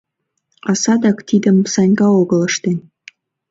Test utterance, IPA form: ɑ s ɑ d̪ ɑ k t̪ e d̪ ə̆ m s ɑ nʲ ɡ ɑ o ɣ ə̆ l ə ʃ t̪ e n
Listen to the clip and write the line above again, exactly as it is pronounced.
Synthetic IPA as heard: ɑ s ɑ d̪ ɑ k t̪ i d̪ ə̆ m s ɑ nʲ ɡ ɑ o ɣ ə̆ l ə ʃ t̪ e n